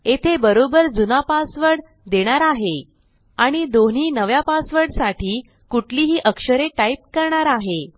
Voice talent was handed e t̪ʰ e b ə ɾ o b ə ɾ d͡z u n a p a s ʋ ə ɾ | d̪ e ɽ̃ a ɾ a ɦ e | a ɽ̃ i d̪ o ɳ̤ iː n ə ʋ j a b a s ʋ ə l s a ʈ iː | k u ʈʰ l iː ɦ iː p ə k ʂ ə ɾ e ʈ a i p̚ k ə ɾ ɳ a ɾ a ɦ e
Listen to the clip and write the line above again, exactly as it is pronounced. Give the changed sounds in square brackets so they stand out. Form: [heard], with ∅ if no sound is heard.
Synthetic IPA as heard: e t̪ʰ e b ə ɾ o b ə ɾ d͡z u n a p a s ʋ ə [ɽ] | d̪ e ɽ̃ a ɾ a ɦ e | a ɽ̃ i d̪ o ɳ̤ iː n ə ʋ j a [p] a s ʋ ə [ɽ] s a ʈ iː | k u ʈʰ l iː ɦ iː [ʔ] ə k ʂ ə ɾ e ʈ a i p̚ k ə ɾ ɳ a ɾ a ɦ e

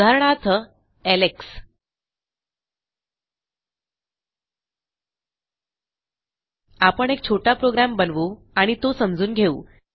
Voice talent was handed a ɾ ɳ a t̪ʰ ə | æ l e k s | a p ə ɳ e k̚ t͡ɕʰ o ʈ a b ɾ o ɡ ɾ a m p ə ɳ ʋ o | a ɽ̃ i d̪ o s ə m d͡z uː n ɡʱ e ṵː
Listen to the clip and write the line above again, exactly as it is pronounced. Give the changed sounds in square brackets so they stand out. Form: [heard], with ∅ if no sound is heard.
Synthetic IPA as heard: a ɾ ɳ a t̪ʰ ə | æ l e k s | a p ə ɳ e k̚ t͡ɕʰ o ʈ a [p] ɾ o ɡ ɾ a m [b] ə [n] ʋ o | a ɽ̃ i [t̪] o s ə m d͡z uː n ɡʱ e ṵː

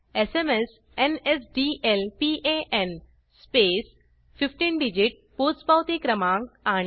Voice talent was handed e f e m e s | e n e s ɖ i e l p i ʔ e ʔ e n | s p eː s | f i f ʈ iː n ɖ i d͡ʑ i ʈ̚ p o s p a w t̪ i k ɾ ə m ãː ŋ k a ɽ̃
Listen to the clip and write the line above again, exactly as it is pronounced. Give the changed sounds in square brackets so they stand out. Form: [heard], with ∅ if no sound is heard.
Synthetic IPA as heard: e [s] e m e s | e n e s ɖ i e l p i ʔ e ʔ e n | s p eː s | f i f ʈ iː n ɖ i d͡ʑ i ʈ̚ p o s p a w t̪ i k ɾ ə m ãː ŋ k a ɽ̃

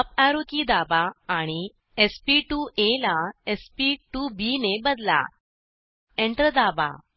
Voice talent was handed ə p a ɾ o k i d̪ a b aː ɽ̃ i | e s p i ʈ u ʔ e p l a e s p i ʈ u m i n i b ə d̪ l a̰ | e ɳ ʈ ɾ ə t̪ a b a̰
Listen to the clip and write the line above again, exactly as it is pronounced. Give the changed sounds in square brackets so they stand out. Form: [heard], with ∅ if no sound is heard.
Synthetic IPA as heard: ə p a ɾ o k i d̪ a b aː ɽ̃ i | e s p i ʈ u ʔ e [∅] l a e s p i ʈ u [b] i n [e] b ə d̪ l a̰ | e ɳ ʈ ɾ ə [d̪] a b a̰

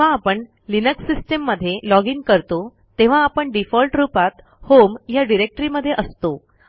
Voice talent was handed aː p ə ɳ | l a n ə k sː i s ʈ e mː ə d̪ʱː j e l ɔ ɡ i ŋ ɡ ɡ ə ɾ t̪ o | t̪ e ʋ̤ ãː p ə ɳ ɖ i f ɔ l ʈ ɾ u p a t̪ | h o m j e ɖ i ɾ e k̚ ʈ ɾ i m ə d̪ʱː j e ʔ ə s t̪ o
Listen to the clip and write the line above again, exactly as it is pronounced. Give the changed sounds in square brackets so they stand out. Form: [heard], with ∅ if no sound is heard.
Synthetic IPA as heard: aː p ə ɳ | l [i] n ə k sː i s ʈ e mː ə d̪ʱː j e l ɔ ɡ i ŋ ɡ [k] ə ɾ t̪ o | t̪ e ʋ̤ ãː p ə ɳ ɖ i f ɔ l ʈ ɾ u p a t̪ | h o m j [a] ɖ i ɾ e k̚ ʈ ɾ i m ə d̪ʱː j e ʔ ə s t̪ o

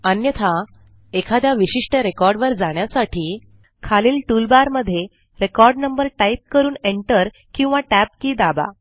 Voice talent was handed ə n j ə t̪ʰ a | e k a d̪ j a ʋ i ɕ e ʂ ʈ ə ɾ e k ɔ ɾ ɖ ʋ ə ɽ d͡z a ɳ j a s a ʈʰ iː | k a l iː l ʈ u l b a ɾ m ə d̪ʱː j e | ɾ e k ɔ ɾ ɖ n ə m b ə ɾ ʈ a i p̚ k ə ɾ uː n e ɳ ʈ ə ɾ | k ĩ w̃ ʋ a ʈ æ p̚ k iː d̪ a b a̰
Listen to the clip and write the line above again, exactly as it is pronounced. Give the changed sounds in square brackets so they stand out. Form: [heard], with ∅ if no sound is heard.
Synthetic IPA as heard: ə n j ə t̪ʰ a | e [kʰ] a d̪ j a ʋ i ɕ [i] ʂ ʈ ə ɾ e k ɔ ɾ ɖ ʋ ə [ɾ] d͡z a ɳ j a s a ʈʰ iː | [kʰ] a l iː l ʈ u l b a ɾ m ə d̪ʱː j e | ɾ e k ɔ ɾ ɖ n ə m b ə ɾ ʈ a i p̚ k ə ɾ uː n e ɳ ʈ ə ɾ | k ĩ w̃ ʋ a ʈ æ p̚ k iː d̪ a b a̰

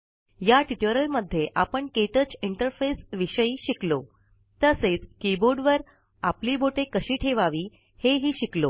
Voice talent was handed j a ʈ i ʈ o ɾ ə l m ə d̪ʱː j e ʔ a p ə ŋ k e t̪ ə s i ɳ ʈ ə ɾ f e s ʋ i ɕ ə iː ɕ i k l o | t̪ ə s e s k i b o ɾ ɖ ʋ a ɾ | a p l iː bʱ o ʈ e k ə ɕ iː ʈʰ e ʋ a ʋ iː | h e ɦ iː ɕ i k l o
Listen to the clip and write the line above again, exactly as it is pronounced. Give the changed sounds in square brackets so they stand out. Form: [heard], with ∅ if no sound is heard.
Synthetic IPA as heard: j a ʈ i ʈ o ɾ ə l m ə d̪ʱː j e ʔ a p ə [ɳ] k e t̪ ə [t͡s] i ɳ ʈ ə ɾ f e s ʋ i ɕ ə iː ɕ i k l o | t̪ ə s e [t͡s] k i b o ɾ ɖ ʋ [ə] ɾ | a p l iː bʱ o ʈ e k ə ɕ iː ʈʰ e ʋ a ʋ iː | h e ɦ iː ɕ i k l o

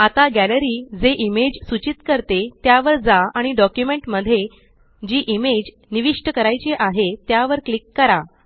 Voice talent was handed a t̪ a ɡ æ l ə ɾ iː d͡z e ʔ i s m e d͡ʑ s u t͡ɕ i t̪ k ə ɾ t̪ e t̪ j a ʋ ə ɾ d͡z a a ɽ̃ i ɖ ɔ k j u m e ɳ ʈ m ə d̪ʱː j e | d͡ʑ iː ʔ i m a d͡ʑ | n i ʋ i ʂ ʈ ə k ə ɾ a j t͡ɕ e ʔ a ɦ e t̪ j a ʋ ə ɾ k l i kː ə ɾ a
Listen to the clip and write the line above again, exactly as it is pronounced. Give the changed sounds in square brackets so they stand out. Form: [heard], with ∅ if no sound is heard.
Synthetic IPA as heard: a t̪ a ɡ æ l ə ɾ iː d͡z e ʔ i [∅] m e d͡ʑ s u t͡ɕ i t̪ k ə ɾ t̪ e t̪ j a ʋ ə ɾ d͡z a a ɽ̃ i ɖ ɔ k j u m e ɳ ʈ m ə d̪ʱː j e | d͡ʑ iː ʔ i m [e] d͡ʑ | n i ʋ i ʂ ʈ ə k ə ɾ a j t͡ɕ e ʔ a ɦ e t̪ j a ʋ ə ɾ k l i kː ə ɾ a

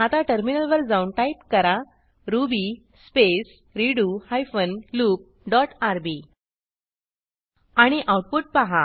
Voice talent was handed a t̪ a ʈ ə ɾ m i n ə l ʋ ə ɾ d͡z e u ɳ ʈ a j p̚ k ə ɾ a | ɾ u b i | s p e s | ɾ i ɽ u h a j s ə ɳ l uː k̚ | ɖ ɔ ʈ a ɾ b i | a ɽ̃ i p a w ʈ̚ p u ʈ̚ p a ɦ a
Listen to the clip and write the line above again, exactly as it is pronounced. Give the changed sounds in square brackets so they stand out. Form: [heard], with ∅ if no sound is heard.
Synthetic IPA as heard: a t̪ a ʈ ə ɾ m i n ə l ʋ ə ɾ d͡z [a] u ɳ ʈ a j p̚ k ə ɾ a | ɾ u b i | s p e s | ɾ i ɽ u h a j [f] ə [n] l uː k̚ | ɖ ɔ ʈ a ɾ b i | a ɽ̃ i [ʔ] a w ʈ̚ p u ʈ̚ p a ɦ a

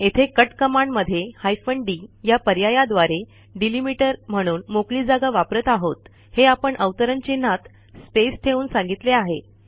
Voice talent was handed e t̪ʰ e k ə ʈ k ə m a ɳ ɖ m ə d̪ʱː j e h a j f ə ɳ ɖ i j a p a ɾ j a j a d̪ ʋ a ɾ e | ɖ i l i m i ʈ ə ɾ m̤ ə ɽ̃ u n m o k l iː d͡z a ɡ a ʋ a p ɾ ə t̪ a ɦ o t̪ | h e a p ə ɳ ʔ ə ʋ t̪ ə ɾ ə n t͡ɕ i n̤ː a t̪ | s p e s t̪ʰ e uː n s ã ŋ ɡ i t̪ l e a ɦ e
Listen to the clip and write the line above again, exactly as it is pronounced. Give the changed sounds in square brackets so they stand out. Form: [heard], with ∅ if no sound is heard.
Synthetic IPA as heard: e t̪ʰ e k ə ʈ k ə m a ɳ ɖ m ə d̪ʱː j e h a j f ə ɳ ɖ i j a p [ə] ɾ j a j a d̪ ʋ a ɾ e | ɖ i l i m i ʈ ə ɾ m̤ ə ɽ̃ [uː] n m o k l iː d͡z a ɡ a ʋ a p ɾ ə t̪ a ɦ o t̪ | h e a p ə ɳ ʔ ə ʋ t̪ ə ɾ ə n t͡ɕ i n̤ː a t̪ | s p e s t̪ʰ e uː n s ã ŋ ɡ i t̪ l e a ɦ e

